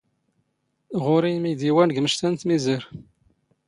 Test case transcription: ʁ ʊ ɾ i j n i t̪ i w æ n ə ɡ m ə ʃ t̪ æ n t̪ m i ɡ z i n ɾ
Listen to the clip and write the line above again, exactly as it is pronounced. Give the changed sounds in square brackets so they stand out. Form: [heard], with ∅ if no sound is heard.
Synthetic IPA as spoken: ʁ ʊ ɾ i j [m] i [d̪] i w æ n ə ɡ m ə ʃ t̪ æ n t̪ m i [∅] z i [∅] ɾ